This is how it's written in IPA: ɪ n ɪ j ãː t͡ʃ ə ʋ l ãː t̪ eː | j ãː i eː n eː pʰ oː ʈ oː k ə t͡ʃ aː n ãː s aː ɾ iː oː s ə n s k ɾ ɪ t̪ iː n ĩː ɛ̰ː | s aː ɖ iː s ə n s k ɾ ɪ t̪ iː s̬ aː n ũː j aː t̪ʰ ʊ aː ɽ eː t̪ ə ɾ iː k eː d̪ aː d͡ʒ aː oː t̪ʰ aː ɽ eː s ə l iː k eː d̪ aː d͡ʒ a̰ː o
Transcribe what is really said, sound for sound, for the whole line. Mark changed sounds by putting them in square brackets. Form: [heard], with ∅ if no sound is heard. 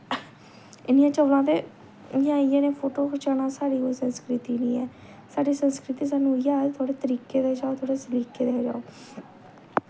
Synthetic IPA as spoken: ɪ n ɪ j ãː t͡ʃ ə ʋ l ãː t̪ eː | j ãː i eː n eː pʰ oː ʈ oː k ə t͡ʃ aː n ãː s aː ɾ iː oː s ə n s k ɾ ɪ t̪ iː n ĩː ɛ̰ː | s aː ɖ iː s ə n s k ɾ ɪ t̪ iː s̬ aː n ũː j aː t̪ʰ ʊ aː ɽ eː t̪ ə ɾ iː k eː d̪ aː d͡ʒ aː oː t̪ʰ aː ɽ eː s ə l iː k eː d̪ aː d͡ʒ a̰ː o